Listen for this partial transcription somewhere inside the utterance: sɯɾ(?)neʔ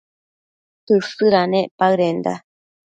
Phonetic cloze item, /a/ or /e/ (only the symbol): a